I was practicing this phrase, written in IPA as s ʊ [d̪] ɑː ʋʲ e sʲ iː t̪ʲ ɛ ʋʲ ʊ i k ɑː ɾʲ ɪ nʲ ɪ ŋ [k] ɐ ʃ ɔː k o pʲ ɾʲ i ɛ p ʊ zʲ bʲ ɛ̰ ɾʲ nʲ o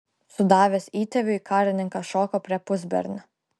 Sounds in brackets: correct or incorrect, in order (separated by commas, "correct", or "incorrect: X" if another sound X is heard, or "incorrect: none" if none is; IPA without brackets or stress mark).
correct, correct